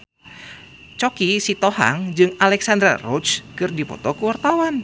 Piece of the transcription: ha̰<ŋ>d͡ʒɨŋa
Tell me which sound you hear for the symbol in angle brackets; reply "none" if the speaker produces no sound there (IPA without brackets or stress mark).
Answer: ŋ